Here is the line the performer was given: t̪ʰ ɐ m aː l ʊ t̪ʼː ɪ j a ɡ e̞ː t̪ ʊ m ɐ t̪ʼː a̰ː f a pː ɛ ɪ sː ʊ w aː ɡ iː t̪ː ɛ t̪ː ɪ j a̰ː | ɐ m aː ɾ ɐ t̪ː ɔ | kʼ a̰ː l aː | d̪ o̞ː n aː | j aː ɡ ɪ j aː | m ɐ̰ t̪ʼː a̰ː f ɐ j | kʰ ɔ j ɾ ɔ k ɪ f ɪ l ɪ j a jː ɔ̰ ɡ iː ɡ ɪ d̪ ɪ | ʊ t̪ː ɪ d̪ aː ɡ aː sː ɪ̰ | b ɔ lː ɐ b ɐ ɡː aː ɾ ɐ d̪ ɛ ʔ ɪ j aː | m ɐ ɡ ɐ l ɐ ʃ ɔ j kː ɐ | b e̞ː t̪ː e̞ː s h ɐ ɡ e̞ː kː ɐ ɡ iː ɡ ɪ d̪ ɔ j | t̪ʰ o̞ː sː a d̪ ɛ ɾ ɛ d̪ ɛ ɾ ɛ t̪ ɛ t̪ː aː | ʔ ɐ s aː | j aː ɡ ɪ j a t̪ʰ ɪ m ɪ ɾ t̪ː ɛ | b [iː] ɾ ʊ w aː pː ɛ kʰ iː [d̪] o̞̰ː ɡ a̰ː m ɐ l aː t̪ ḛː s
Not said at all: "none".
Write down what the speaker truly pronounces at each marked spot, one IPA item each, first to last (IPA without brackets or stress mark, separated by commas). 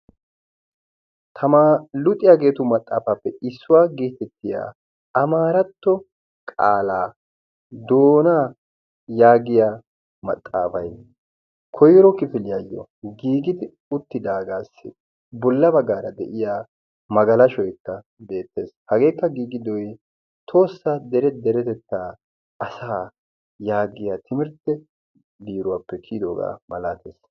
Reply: iː, d̪